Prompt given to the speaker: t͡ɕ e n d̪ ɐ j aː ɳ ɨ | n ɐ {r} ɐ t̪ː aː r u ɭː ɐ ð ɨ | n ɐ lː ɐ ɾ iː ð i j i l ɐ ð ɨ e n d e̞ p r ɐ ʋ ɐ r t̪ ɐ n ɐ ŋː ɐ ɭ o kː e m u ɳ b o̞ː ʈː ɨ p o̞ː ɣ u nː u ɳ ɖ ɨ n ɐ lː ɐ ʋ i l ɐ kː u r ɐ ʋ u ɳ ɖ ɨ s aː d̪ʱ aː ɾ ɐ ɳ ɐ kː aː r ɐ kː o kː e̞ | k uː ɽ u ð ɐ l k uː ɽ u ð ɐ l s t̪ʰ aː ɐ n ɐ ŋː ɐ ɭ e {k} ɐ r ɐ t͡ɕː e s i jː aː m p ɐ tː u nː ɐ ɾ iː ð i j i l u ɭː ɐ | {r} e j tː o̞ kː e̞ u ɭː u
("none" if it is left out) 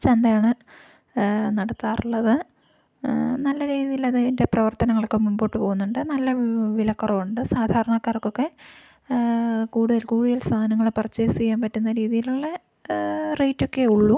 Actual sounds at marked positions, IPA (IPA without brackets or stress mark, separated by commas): ɽ, p, r